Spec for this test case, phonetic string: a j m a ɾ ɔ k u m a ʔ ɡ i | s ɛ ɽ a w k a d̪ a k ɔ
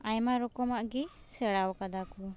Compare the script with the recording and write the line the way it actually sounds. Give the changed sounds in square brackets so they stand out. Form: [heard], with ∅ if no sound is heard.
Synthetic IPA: a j m a ɾ ɔ k [ɔ] m a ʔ ɡ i | s ɛ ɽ a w k a d̪ a k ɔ